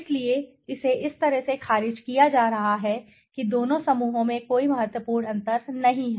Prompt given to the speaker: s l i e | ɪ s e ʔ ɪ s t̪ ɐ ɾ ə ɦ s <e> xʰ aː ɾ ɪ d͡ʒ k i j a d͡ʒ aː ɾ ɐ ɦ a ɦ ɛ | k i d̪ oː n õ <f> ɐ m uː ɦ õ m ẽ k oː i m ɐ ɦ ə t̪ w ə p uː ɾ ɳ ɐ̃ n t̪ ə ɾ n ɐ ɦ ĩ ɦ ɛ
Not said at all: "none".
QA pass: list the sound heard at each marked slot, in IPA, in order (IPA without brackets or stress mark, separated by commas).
e, s